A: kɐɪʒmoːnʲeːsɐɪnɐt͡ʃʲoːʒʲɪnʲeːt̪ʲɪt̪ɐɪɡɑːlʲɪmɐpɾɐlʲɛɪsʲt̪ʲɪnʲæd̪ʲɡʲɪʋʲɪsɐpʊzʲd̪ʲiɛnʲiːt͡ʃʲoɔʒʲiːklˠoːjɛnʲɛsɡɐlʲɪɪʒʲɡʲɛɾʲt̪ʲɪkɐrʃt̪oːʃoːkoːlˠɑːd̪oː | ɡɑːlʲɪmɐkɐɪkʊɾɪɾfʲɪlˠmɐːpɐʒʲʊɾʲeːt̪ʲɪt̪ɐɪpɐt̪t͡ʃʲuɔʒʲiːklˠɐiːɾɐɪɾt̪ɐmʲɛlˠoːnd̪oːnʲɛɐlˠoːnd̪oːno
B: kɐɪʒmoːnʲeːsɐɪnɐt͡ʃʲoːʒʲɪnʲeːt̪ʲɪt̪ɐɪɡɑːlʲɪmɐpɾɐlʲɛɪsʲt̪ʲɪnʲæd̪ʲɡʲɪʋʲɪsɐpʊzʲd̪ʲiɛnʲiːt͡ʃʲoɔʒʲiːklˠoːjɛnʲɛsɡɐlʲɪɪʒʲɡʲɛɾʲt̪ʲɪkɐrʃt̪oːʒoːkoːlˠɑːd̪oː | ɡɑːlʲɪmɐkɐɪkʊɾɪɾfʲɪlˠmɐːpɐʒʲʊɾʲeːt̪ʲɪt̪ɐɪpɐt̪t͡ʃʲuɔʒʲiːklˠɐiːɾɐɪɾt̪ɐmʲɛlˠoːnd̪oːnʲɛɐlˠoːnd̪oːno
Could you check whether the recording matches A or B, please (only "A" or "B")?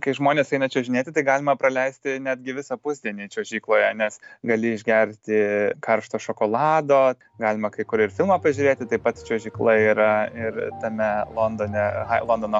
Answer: A